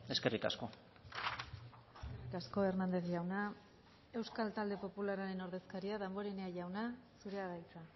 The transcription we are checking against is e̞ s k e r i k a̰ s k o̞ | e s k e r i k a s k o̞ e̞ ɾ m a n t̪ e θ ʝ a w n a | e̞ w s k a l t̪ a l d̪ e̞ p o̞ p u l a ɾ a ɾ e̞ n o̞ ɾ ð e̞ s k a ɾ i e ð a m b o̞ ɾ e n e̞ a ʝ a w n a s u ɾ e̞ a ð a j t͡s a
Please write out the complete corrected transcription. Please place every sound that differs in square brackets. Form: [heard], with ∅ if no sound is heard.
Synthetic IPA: e̞ s k e r i k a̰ s k o̞ | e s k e r i k a s k o̞ e̞ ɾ m a n [d̪] e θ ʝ a w n a | e̞ w s k a l t̪ a l d̪ e̞ p o̞ p u l a ɾ a ɾ e̞ n o̞ ɾ ð e̞ s k a ɾ i [a] ð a m b o̞ ɾ e n e̞ a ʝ a w n a s u ɾ e̞ a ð a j t͡s a